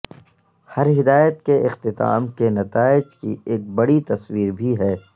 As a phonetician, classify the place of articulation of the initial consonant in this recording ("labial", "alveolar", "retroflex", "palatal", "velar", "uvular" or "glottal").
glottal